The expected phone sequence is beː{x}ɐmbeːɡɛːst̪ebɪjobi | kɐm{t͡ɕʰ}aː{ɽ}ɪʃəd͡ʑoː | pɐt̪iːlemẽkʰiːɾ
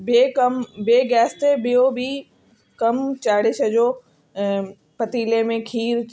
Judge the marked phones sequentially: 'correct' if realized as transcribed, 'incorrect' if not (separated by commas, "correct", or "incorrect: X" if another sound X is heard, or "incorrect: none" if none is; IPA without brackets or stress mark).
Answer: incorrect: k, incorrect: t͡ɕ, correct